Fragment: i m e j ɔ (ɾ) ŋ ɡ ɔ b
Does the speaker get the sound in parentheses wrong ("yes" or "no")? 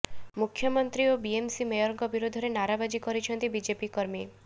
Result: no